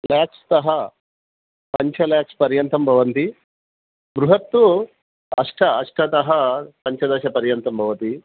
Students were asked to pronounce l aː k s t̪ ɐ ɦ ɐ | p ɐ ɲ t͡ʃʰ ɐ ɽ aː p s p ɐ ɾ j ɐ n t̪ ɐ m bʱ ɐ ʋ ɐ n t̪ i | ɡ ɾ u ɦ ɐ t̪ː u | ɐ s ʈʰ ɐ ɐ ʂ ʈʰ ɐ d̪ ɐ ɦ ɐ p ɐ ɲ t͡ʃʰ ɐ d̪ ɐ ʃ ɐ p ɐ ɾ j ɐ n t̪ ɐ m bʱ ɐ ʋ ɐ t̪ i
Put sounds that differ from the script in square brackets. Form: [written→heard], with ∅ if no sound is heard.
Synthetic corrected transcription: l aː k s t̪ ɐ ɦ ɐ | p ɐ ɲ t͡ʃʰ ɐ [ɽ→l] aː [p→k] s p ɐ ɾ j ɐ n t̪ ɐ m bʱ ɐ ʋ ɐ n t̪ i | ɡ ɾ u ɦ ɐ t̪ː u | ɐ [s→ʂ] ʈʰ ɐ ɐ ʂ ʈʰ ɐ [d̪→t̪] ɐ ɦ ɐ p ɐ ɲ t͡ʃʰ ɐ d̪ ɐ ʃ ɐ p ɐ ɾ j ɐ n t̪ ɐ m bʱ ɐ ʋ ɐ t̪ i